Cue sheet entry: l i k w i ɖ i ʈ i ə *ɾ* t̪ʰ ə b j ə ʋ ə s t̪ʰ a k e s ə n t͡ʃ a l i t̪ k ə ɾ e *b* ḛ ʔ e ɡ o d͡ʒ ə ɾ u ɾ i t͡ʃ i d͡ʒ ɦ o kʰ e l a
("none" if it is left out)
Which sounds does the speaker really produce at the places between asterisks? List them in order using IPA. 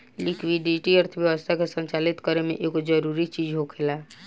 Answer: ɾ, m

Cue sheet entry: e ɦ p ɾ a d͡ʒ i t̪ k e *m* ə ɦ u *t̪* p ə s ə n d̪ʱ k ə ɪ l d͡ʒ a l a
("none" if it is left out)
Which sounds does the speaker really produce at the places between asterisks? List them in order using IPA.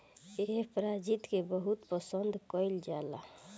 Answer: b, t̪

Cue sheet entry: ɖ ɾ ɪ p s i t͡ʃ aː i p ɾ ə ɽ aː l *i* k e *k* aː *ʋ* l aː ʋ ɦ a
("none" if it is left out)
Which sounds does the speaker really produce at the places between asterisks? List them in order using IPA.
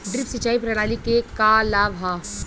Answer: i, k, none

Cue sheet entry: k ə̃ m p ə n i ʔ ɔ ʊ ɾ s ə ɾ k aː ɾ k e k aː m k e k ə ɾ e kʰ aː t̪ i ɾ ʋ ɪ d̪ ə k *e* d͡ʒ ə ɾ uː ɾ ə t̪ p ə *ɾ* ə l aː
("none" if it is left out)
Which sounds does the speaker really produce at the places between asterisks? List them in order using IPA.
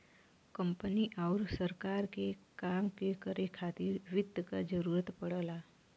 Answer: a, ɽ

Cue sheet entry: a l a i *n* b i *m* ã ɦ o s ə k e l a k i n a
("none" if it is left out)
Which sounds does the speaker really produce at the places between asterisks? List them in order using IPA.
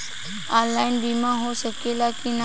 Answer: n, m

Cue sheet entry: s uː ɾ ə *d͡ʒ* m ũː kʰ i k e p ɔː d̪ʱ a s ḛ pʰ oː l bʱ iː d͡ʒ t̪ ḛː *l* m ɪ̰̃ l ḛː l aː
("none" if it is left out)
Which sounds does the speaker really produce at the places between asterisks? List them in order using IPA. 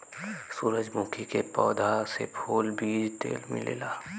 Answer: d͡ʒ, l

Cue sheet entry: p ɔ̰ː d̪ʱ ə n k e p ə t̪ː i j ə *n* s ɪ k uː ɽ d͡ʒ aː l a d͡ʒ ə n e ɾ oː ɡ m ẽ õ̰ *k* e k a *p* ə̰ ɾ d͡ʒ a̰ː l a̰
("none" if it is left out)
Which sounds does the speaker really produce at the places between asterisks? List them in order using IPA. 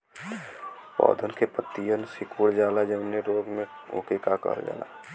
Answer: n, k, k

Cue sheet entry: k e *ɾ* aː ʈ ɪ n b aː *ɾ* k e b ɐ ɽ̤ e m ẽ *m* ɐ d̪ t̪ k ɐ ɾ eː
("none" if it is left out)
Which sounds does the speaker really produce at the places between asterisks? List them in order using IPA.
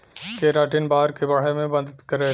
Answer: ɾ, ɾ, b

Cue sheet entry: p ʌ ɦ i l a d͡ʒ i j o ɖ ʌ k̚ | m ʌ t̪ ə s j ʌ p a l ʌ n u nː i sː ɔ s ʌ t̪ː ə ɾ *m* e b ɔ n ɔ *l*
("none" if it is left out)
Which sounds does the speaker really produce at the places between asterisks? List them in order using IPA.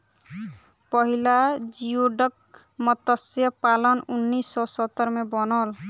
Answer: m, l

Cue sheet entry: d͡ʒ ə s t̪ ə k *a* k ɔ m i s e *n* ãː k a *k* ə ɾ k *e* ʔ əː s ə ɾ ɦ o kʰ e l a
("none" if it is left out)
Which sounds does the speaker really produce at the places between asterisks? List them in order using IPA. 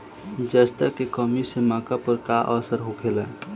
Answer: e, m, p, a

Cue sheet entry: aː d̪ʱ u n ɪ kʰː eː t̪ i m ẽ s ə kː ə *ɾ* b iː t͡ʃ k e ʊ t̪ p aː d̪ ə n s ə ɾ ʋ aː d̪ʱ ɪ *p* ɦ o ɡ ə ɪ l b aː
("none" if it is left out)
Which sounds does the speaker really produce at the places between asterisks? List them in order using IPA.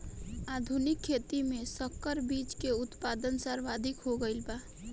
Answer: ɾ, k

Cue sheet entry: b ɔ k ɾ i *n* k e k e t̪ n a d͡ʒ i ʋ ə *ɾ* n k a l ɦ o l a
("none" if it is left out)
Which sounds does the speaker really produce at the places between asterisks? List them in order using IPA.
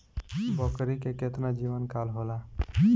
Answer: none, none

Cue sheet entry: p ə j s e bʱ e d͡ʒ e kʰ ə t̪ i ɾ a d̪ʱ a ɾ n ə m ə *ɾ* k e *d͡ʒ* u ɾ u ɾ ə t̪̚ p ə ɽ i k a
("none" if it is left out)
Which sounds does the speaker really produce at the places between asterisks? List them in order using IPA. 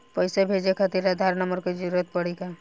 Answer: ɾ, d͡ʒ

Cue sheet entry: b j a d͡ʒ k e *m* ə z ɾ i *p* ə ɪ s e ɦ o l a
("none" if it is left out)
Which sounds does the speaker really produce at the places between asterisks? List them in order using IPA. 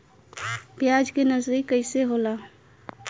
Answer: n, k

